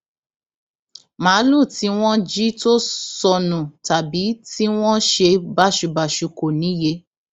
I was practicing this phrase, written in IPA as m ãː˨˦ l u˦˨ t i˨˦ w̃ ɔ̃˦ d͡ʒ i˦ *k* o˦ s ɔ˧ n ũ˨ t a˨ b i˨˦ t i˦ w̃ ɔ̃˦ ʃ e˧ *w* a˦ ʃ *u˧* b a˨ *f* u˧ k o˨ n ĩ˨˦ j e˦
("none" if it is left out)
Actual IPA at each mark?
t, b, u˧, ʃ

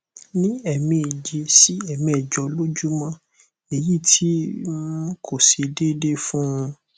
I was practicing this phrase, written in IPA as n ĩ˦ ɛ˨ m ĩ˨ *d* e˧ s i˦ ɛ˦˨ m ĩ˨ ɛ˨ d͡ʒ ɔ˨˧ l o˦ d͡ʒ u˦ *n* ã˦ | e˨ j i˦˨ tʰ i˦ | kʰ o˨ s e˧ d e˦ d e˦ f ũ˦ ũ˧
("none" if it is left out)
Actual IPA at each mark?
d͡ʒ, m

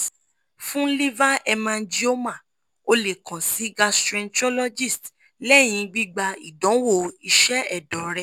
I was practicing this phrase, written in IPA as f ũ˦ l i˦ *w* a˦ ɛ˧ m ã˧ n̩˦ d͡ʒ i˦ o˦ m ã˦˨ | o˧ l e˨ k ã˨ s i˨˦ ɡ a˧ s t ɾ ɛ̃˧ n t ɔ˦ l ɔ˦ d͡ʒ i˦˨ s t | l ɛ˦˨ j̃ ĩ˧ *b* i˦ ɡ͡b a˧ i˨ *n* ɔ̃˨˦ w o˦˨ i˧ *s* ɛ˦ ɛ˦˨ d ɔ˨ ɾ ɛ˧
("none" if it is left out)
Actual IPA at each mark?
v, ɡ͡b, d, ʃ

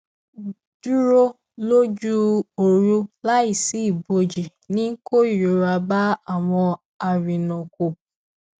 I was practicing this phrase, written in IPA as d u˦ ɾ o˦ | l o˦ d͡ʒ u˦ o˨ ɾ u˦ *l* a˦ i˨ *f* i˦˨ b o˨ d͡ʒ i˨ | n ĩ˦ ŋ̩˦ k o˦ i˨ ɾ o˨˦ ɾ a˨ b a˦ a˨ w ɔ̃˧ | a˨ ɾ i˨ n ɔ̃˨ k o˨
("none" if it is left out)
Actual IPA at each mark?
l, s

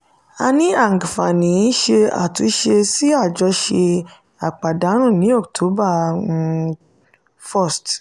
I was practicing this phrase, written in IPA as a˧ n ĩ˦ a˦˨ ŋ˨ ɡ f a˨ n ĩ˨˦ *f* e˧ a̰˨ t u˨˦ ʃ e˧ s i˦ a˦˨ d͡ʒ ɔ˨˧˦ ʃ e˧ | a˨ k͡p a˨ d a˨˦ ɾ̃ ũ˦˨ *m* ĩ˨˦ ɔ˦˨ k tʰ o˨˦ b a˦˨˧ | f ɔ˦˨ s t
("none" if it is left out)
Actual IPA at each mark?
ʃ, n

